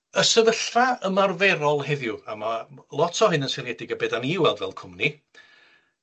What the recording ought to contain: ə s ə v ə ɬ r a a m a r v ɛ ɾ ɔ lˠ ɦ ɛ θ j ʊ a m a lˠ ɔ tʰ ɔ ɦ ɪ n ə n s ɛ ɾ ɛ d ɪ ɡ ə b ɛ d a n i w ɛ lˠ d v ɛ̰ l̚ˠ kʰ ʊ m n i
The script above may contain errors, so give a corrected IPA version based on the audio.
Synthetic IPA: ə s ə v ə ɬ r a ə m a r v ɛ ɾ ɔ lˠ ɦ ɛ ð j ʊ a m a lˠ ɔ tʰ ɔ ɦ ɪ n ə n s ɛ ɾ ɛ d ɪ ɡ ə b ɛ d a n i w ɛ lˠ d v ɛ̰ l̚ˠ kʰ ʊ m n i